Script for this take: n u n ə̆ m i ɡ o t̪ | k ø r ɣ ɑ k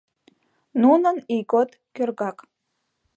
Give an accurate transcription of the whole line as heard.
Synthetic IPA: n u n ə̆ n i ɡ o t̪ | k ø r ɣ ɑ k

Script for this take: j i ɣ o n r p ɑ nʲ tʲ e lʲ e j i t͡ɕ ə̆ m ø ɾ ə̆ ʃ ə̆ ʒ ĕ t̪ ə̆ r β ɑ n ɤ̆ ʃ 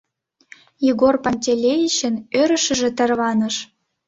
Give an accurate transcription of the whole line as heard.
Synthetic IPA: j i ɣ o r p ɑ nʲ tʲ e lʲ e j i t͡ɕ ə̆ n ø ɾ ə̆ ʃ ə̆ ʒ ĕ t̪ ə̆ r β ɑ n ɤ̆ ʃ

